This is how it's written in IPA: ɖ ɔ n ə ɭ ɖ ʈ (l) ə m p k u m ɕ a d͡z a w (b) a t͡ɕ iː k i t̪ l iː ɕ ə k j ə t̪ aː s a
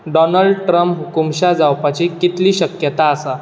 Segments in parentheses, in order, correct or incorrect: incorrect: ɾ, incorrect: p

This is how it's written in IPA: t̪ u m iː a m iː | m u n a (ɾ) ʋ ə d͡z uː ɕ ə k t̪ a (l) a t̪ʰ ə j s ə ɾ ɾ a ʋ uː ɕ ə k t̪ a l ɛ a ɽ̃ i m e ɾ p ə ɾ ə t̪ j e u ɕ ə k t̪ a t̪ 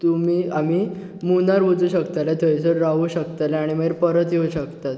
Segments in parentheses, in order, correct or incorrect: correct, correct

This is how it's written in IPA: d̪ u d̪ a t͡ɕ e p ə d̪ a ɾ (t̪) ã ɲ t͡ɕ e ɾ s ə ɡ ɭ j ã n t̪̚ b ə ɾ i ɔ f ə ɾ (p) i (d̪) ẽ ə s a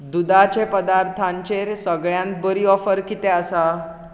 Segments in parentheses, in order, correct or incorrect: incorrect: t̪ʰ, incorrect: k, incorrect: t̪

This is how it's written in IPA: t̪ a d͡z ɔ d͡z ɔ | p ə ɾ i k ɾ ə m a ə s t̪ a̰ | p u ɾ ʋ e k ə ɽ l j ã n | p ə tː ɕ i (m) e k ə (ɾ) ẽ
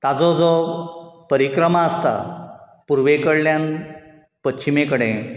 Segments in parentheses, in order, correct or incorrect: correct, incorrect: ɽ

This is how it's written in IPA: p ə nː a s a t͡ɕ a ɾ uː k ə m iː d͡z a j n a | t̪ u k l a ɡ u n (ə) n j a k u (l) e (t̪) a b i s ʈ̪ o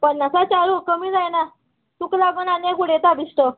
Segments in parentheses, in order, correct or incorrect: incorrect: a, incorrect: ɽ, correct

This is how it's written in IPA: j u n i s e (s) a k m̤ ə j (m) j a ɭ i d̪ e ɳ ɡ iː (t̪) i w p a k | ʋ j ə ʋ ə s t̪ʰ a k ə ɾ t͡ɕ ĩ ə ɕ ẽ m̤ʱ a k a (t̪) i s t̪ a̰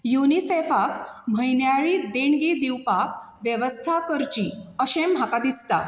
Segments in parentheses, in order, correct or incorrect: incorrect: f, incorrect: n, incorrect: d̪, incorrect: d̪

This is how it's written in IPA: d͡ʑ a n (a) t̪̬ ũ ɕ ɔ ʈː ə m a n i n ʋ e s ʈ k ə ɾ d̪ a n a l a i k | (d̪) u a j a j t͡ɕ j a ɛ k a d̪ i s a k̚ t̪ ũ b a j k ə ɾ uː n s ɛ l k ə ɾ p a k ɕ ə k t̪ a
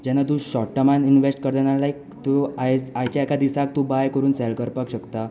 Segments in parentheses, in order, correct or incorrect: correct, incorrect: t̪

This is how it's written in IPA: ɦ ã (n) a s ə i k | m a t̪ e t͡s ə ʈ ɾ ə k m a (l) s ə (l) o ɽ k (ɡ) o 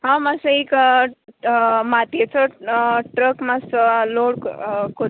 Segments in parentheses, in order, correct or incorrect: incorrect: m, incorrect: none, correct, incorrect: k

